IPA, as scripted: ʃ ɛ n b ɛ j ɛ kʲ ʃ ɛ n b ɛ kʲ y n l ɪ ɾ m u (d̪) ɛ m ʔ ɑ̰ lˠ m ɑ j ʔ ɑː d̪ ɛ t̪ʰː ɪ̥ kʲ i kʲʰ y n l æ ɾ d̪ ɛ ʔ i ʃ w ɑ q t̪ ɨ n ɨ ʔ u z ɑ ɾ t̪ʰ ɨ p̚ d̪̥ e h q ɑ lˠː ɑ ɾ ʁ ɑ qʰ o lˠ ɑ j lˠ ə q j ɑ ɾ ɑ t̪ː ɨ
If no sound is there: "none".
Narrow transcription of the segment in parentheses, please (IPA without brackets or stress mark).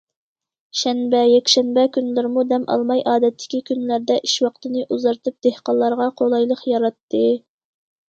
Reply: d̪